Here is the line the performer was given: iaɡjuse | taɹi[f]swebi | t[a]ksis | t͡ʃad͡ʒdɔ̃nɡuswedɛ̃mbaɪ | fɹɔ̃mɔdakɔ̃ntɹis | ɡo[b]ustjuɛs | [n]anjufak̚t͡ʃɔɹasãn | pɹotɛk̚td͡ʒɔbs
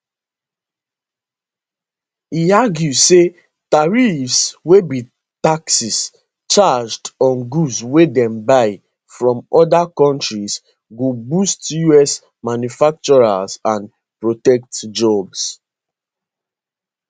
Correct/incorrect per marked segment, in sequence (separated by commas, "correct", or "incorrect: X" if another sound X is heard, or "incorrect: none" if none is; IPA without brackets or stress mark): correct, correct, correct, incorrect: m